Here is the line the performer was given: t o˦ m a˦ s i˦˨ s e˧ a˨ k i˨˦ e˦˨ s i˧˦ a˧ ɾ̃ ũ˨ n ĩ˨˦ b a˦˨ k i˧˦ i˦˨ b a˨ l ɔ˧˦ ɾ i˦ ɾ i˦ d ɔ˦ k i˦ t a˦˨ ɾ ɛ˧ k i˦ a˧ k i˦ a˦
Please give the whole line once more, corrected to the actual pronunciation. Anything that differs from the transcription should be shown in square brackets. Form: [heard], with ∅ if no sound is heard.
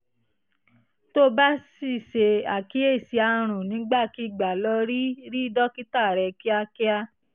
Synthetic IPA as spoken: t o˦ [b] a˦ s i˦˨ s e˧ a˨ k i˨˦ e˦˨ s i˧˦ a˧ ɾ̃ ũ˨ n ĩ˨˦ [ɡ͡b] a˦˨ k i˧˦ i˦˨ [ɡ͡b] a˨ l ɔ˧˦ ɾ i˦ ɾ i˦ d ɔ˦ k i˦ t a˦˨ ɾ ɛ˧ k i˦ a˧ k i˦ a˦

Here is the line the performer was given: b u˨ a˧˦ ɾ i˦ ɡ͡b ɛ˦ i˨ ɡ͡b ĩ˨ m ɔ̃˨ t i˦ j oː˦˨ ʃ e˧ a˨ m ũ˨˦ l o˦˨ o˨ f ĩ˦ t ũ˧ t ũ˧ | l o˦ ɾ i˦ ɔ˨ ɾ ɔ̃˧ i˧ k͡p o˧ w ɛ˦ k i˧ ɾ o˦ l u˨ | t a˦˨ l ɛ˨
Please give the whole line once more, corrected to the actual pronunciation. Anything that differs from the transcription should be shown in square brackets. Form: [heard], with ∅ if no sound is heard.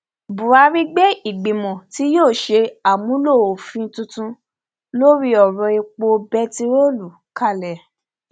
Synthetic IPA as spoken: b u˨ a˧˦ ɾ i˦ ɡ͡b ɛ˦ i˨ ɡ͡b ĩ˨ m ɔ̃˨ t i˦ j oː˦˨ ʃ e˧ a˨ m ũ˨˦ l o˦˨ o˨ f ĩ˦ t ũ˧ t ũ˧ | l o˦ ɾ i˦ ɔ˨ ɾ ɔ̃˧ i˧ k͡p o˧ [b] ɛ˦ [t] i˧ ɾ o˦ l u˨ | [k] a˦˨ l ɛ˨

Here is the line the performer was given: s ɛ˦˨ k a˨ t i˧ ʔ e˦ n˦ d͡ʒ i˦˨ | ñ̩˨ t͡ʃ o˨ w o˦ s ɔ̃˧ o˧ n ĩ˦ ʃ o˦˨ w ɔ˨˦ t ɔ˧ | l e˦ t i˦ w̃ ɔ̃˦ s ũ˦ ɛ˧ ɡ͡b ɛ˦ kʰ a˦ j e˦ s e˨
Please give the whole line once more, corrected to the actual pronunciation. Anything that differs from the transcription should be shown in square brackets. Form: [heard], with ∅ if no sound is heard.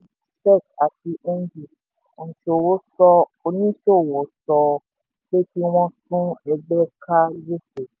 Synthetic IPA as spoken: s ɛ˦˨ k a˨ t i˧ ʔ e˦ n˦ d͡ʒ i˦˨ | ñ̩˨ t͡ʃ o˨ w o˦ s [ɔ˧] o˧ n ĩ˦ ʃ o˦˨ w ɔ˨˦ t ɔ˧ | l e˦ t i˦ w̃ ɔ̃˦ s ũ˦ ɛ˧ ɡ͡b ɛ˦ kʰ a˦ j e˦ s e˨

